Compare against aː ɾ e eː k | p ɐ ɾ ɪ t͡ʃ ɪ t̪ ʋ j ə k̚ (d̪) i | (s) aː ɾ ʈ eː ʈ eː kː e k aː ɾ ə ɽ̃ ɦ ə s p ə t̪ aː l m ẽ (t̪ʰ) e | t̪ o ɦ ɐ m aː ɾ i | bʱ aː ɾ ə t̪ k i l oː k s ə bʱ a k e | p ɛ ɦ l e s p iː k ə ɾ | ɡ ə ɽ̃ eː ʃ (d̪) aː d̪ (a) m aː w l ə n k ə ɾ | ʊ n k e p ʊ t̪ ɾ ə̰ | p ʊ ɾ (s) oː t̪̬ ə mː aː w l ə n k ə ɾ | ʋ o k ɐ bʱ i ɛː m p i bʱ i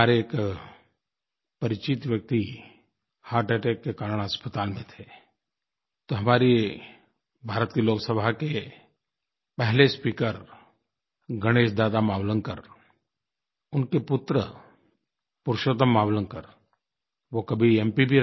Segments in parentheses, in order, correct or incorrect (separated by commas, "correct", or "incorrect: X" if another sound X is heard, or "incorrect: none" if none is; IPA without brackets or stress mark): incorrect: t̪, incorrect: h, correct, correct, correct, incorrect: ʃ